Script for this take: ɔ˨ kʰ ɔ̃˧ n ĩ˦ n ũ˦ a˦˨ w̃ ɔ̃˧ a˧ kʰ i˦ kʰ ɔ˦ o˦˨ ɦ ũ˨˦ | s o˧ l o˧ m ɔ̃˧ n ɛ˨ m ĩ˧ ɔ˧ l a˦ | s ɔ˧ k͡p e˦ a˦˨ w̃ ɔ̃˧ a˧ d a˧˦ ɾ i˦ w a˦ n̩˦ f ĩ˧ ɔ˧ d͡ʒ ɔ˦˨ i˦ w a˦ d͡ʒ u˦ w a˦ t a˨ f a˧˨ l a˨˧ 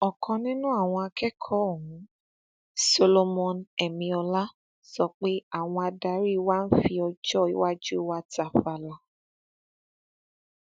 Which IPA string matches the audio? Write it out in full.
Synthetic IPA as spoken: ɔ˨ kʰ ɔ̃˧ n ĩ˦ n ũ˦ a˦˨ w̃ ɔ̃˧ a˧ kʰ ɛ˦ kʰ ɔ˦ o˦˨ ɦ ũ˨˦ | s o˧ l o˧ m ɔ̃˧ n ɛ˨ m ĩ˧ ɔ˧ l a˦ | s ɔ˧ k͡p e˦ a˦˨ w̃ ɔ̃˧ a˧ d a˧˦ ɾ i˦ w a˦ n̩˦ f i˧ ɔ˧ d͡ʒ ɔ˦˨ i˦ w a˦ d͡ʒ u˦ w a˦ t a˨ f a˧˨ l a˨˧

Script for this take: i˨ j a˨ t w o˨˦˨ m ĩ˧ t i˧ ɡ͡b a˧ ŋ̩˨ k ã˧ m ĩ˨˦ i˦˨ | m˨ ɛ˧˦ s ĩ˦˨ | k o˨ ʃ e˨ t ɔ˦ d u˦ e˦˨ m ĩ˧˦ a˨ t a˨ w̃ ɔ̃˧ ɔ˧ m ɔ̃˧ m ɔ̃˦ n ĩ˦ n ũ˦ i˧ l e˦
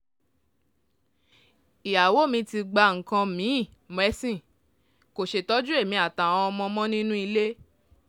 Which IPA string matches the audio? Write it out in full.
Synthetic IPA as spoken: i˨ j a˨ w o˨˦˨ m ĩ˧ t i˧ ɡ͡b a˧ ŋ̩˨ k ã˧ m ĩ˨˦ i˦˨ | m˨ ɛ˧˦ s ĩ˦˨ | k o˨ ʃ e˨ t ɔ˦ d͡ʒ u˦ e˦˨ m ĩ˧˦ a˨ t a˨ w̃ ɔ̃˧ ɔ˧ m ɔ̃˧ m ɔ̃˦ n ĩ˦ n ũ˦ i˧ l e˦

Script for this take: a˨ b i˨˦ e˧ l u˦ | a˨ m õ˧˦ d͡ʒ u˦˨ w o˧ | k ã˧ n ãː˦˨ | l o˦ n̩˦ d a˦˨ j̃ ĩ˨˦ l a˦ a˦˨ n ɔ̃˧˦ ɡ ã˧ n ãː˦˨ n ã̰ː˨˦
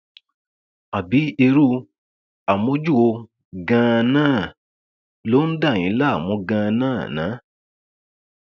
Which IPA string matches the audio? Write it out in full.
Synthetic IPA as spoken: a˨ b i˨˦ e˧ ɾ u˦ | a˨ m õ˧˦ d͡ʒ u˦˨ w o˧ | ɡ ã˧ n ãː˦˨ | l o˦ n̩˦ d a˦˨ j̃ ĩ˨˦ l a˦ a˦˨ m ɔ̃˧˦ ɡ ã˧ n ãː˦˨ n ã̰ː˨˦

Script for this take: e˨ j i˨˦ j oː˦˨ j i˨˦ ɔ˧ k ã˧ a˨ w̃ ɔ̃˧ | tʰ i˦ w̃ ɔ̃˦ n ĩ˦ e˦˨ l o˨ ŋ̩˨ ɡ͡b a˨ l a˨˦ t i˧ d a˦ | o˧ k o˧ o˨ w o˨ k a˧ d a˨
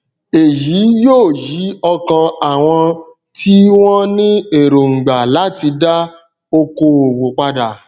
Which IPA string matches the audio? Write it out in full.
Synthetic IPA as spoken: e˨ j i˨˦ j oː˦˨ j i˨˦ ɔ˧ k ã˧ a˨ w̃ ɔ̃˧ | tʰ i˦ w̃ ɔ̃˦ n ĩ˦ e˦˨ ɾ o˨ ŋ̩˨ ɡ͡b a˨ l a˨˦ t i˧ d a˦ | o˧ k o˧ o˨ w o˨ k͡p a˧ d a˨

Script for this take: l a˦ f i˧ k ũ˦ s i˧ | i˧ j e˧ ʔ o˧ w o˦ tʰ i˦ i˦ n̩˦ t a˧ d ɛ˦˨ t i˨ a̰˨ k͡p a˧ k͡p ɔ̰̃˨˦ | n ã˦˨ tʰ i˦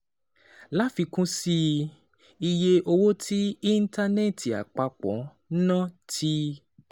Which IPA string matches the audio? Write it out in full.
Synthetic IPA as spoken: l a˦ f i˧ k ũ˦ s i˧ | i˧ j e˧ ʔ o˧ w o˦ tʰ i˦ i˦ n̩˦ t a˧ n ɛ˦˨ t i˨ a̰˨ k͡p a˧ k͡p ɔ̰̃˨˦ | n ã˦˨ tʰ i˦

